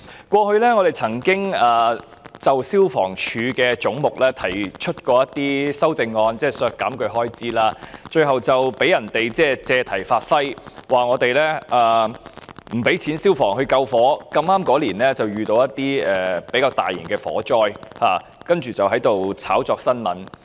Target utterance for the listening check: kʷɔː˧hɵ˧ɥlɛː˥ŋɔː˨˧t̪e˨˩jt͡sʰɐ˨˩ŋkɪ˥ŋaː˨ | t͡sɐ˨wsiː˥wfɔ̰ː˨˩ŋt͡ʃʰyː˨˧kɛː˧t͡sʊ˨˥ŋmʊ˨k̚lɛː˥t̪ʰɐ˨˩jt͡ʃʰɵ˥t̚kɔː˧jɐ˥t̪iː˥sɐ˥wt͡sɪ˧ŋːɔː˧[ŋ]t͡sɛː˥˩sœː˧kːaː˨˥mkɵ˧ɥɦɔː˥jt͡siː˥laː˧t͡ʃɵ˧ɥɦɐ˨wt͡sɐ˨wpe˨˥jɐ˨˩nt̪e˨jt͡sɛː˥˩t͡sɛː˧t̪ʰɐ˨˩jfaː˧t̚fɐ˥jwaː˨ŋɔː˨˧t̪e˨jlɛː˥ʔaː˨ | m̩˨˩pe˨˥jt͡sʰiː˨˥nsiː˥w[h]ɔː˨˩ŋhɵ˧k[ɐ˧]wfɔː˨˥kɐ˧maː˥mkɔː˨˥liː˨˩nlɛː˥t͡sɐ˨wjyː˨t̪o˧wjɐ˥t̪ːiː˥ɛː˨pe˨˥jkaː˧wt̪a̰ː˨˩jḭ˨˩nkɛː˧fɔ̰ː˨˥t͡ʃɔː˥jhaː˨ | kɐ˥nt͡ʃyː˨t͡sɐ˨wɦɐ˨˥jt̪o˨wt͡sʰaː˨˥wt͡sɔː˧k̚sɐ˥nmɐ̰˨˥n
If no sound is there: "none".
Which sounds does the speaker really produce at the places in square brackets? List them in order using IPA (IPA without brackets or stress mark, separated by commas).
n, f, ɐ˧